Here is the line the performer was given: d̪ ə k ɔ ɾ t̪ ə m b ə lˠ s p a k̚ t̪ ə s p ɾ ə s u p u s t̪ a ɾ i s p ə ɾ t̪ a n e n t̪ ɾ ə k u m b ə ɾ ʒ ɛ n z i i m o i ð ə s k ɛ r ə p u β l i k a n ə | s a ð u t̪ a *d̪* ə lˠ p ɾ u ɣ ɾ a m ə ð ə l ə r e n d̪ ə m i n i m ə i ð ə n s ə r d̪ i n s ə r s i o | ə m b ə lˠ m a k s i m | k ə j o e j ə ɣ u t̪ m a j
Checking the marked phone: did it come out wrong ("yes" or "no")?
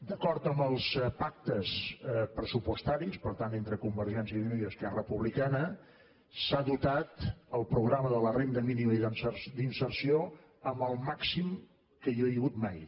yes